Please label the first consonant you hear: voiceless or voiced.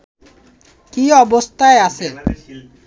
voiceless